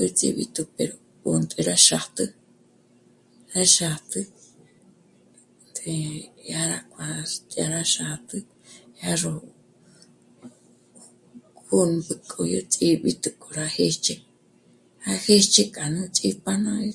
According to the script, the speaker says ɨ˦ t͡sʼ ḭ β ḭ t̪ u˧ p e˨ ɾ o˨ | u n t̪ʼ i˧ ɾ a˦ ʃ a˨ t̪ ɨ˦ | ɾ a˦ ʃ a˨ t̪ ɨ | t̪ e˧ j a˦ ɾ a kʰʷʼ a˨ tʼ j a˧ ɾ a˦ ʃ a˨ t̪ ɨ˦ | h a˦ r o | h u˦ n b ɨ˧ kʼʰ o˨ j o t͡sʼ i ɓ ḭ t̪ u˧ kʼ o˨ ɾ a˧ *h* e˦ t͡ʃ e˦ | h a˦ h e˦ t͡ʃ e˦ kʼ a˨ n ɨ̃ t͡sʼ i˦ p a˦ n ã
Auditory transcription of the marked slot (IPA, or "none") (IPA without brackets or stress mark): h